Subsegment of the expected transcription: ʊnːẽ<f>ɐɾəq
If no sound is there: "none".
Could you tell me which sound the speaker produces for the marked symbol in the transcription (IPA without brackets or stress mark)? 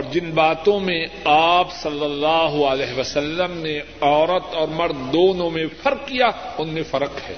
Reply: f